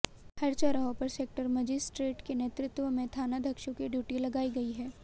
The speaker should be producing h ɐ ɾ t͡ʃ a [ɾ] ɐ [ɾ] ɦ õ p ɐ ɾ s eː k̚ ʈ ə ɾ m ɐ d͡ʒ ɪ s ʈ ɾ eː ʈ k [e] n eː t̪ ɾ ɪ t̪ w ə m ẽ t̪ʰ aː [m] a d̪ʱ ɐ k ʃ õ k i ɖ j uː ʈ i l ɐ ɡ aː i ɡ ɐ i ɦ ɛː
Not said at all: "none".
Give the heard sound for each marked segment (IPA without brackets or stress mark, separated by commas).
ɾ, none, e, n